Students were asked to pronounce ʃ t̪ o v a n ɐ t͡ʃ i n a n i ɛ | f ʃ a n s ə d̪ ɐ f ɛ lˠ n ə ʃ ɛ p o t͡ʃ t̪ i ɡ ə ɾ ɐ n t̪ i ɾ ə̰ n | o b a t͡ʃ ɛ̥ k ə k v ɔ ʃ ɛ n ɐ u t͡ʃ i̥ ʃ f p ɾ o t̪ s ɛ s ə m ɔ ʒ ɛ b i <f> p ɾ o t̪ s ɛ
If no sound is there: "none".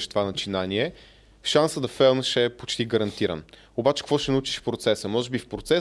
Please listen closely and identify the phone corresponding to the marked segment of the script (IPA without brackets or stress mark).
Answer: f